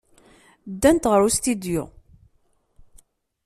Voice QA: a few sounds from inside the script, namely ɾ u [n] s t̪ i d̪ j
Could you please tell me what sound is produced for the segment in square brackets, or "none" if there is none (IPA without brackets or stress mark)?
none